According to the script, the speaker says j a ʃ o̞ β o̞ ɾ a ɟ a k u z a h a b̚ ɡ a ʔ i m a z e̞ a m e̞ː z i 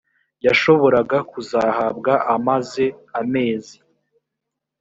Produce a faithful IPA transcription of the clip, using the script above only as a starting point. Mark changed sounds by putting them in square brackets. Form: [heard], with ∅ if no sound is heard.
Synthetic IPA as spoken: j a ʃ o̞ β o̞ ɾ a [ɡ] a k u z a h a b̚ ɡ a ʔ [a] m a z e̞ a m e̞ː z i